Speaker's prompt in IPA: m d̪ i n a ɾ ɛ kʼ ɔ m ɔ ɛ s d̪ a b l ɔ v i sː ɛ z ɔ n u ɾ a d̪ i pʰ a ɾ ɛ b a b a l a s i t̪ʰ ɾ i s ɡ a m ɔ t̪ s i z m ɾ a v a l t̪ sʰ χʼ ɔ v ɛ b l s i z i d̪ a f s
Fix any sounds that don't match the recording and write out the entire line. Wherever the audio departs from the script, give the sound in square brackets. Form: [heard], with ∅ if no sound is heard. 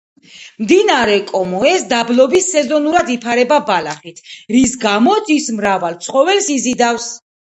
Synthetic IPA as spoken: m d̪ i n a ɾ ɛ kʼ ɔ m ɔ ɛ s d̪ a b l ɔ [b] i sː ɛ z ɔ n u ɾ a d̪ i pʰ a ɾ ɛ b a b a l a [χ] i t̪ʰ ɾ i s ɡ a m ɔ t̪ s i [s] m ɾ a v a l t̪ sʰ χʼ ɔ v ɛ [∅] l s i z i d̪ a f s